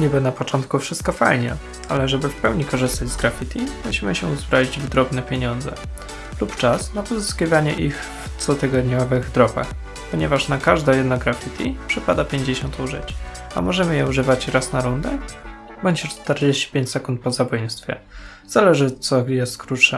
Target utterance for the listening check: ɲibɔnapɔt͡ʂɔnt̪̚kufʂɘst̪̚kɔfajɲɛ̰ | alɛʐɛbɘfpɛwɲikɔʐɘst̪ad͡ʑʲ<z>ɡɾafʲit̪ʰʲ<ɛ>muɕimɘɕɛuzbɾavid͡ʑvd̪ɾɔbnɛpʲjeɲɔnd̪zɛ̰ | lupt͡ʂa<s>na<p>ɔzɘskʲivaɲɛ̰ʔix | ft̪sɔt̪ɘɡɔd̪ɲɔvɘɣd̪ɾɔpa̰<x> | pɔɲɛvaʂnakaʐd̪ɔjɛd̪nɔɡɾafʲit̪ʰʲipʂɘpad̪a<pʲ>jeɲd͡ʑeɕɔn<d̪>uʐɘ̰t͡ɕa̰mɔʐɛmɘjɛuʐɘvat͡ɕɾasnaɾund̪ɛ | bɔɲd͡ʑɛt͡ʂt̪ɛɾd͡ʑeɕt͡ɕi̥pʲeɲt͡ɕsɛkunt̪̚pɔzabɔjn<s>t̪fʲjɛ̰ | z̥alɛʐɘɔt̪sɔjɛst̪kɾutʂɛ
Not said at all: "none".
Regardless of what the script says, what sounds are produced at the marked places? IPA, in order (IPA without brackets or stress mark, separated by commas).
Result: z, i, s, p, x, pʲ, t̪, s